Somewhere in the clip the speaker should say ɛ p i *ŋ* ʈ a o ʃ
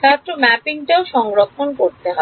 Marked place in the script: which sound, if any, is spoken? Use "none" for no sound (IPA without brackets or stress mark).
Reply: ŋ